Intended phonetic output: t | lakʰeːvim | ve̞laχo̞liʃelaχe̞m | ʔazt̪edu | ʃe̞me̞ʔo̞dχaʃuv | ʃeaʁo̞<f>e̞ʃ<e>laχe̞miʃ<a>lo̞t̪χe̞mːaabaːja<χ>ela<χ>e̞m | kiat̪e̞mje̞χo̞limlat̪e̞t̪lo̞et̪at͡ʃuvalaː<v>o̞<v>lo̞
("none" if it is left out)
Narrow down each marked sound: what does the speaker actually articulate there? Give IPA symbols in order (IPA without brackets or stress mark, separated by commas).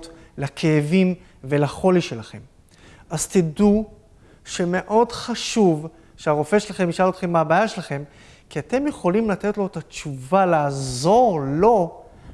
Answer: f, e, a, ʃ, χ, z, ʁ